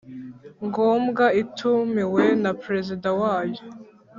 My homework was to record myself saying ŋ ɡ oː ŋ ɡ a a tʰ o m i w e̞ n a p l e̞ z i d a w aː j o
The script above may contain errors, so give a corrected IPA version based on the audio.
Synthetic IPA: ŋ ɡ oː m ɡ a i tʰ u m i w e̞ n a p ɾ e̞ z i d a w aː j o